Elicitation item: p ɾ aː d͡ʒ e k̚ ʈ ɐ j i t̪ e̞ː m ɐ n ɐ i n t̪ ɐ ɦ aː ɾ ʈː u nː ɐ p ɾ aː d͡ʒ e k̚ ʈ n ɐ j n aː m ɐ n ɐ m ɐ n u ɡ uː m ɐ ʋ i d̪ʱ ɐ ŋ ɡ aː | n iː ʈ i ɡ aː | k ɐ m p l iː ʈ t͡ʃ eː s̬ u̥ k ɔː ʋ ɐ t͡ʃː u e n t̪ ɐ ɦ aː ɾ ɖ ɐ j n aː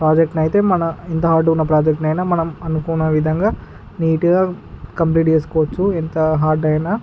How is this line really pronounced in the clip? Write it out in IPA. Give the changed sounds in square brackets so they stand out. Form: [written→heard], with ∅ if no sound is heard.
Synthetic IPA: p ɾ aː d͡ʒ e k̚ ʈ ɐ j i t̪ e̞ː m ɐ n ɐ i n t̪ ɐ ɦ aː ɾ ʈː u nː ɐ p ɾ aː d͡ʒ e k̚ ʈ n ɐ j n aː m ɐ n ɐ m ɐ n u [ɡ→k] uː [m→n] ɐ ʋ i d̪ʱ ɐ ŋ ɡ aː | n iː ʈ i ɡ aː | k ɐ m p l iː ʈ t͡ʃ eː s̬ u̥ k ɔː ʋ ɐ t͡ʃː u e n t̪ ɐ ɦ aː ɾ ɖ ɐ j n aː